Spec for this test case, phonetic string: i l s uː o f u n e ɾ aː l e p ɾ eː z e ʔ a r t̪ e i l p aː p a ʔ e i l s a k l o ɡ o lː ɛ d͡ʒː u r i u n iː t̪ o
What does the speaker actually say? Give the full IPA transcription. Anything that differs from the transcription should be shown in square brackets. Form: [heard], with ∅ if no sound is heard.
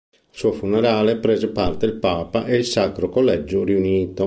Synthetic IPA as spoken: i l s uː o f u n e ɾ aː l e p ɾ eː z e [p] a r t̪ e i l p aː p a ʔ e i l s a k [ɾ] o [k] o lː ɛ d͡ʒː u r i u n iː t̪ o